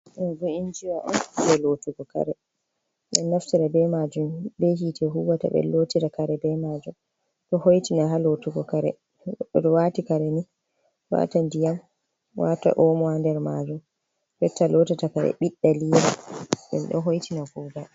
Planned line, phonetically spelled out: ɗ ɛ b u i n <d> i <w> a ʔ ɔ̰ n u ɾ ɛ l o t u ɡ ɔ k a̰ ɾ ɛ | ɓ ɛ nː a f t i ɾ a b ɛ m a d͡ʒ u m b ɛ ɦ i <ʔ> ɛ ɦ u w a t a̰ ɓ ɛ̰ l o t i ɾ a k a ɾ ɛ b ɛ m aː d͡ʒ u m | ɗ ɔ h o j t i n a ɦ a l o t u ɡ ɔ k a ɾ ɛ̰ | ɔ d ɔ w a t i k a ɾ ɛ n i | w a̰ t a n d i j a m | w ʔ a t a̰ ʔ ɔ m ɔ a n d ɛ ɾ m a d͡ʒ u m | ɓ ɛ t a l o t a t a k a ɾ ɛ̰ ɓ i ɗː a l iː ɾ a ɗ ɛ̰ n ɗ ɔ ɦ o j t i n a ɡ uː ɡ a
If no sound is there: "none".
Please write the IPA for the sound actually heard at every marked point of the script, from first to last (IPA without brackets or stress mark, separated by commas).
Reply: d͡ʒ, w, t